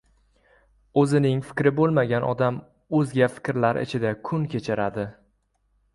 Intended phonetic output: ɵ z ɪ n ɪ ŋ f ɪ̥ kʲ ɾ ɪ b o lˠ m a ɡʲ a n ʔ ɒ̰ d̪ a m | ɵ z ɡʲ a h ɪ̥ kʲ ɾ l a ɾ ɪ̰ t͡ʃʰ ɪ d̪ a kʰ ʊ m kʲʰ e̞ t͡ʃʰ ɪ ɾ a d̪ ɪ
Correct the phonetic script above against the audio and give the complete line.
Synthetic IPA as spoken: ɵ z ɪ n ɪ ŋ f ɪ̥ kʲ ɾ ɪ b o lˠ m a ɡʲ a n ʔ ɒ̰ d̪ a m | ɵ z ɡʲ a f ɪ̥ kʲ ɾ l a ɾ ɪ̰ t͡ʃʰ ɪ d̪ a kʰ ʊ n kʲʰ e̞ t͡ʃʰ ɪ ɾ a d̪ ɪ